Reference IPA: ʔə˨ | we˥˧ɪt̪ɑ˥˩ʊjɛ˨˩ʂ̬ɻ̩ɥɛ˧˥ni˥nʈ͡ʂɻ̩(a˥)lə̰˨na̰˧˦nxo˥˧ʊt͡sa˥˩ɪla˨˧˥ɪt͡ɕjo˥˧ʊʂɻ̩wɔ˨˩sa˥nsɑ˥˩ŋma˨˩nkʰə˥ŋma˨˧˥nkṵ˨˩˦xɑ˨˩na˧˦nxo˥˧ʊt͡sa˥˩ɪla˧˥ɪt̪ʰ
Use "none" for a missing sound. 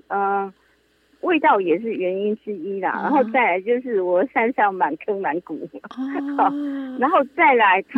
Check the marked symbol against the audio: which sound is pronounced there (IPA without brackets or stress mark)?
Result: i˥